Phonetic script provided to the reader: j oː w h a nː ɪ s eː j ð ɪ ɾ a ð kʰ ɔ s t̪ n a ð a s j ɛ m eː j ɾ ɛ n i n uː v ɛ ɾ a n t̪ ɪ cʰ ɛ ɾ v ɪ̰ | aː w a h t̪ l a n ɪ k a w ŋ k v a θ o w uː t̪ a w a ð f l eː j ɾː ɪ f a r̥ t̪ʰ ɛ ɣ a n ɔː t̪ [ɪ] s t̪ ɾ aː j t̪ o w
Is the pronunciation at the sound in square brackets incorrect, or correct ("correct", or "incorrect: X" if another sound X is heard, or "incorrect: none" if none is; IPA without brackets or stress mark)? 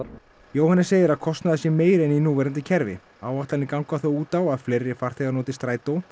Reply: correct